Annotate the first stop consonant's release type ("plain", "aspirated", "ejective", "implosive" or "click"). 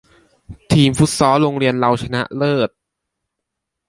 aspirated